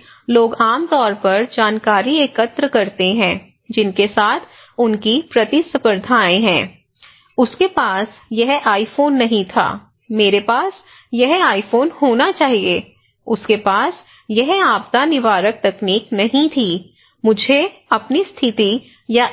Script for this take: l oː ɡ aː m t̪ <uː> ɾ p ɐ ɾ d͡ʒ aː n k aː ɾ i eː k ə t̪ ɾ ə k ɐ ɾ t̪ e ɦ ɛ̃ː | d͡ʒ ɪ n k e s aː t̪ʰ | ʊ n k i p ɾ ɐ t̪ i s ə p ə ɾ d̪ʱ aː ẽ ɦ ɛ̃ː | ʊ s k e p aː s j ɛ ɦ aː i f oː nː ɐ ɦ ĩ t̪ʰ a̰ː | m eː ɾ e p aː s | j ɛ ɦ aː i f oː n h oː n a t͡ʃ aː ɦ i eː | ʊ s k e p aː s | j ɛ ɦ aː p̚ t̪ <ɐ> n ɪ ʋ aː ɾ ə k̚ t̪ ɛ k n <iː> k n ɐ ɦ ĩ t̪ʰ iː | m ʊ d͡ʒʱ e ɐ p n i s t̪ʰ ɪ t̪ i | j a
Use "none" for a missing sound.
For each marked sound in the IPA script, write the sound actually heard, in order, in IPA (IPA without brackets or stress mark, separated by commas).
ɔː, a, iː